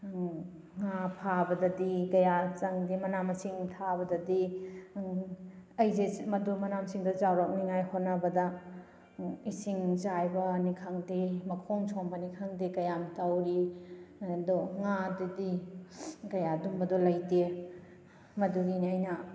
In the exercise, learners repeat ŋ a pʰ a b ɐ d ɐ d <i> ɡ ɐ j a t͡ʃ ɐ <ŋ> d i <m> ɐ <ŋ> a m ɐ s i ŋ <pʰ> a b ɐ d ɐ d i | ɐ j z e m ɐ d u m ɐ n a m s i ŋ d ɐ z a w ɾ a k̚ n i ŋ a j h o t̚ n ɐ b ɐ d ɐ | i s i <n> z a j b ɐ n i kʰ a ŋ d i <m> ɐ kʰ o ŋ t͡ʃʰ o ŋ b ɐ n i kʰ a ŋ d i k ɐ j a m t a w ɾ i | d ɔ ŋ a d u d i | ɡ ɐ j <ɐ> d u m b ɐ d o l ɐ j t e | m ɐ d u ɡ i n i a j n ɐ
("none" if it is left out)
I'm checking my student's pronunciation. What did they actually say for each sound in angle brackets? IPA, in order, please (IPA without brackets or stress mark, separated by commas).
i, ŋ, m, n, tʰ, ŋ, m, a